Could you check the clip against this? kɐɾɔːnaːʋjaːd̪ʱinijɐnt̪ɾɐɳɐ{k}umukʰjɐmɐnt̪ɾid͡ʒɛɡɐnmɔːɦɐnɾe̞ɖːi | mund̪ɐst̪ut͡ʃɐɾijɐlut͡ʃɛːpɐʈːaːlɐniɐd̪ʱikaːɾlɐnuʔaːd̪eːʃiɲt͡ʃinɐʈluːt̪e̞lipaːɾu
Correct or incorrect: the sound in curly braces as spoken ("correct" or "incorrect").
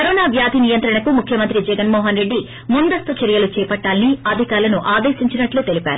correct